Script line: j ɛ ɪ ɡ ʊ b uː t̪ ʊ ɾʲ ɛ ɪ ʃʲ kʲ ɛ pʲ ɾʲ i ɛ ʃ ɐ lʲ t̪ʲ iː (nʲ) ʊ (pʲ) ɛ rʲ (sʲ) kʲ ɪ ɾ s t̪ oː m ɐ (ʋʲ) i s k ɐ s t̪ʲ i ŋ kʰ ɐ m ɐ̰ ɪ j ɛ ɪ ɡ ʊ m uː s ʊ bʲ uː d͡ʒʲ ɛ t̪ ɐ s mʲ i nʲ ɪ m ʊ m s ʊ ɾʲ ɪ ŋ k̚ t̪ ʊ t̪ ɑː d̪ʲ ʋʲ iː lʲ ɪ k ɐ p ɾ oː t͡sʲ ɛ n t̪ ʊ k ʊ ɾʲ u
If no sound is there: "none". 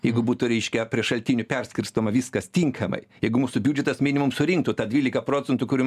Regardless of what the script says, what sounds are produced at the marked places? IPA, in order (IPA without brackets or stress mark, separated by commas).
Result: nʲ, pʲ, sʲ, ʋʲ